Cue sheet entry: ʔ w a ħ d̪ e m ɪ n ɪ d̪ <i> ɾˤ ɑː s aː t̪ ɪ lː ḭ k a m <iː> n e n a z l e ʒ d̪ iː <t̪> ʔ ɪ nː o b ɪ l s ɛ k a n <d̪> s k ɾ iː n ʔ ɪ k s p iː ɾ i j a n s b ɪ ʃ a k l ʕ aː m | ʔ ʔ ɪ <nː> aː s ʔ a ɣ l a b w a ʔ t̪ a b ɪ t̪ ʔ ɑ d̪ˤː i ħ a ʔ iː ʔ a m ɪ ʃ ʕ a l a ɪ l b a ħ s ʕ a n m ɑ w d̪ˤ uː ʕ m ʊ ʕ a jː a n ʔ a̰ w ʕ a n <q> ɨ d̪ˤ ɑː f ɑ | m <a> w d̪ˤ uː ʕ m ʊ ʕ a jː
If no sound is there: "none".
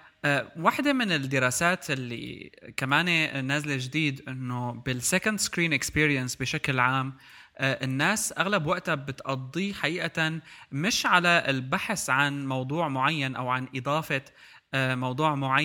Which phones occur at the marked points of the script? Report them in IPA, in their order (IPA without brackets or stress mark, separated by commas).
ɪ, aː, d̪, d̪, nː, ʔ, ɑ